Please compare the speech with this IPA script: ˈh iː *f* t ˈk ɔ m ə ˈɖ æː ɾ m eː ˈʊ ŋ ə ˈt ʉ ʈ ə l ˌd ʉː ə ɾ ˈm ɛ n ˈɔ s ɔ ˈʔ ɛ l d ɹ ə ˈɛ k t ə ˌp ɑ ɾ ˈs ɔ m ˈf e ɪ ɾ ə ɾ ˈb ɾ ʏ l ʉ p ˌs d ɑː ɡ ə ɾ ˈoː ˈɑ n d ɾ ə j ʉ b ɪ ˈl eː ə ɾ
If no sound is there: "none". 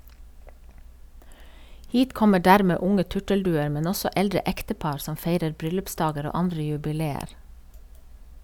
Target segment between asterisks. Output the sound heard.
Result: none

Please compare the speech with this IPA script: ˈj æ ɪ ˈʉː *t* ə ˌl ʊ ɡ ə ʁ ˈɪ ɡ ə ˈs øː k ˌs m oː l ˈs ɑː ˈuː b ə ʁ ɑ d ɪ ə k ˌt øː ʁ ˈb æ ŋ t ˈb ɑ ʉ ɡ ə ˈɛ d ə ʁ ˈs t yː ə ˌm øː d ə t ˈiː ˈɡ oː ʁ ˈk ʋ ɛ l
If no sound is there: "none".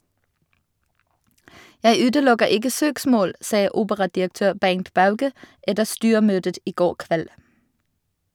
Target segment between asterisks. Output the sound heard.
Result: d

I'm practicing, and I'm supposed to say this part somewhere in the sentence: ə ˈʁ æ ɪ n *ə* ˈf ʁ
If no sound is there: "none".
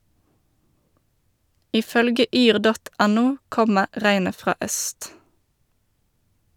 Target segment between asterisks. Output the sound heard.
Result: ə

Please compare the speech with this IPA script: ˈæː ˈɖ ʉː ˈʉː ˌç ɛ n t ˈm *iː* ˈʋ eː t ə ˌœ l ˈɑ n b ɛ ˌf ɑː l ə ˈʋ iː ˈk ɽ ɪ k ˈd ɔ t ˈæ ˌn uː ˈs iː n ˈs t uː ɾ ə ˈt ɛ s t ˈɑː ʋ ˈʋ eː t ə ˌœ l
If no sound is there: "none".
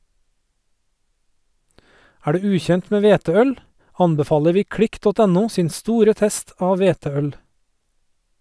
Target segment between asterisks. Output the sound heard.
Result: eː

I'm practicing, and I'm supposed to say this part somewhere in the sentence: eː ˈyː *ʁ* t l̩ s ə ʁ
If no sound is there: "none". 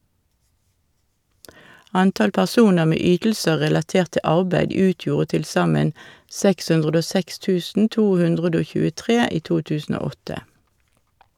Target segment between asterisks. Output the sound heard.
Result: none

